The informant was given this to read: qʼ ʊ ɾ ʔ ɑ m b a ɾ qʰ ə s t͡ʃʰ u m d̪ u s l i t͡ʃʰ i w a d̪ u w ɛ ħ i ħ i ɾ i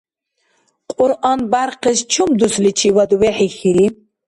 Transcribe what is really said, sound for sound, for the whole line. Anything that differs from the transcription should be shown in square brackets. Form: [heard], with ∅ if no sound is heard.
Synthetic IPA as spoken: qʼ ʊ ɾ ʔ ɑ [n] b a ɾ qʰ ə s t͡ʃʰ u m d̪ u s l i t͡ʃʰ i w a d̪ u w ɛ ħ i [x] i ɾ i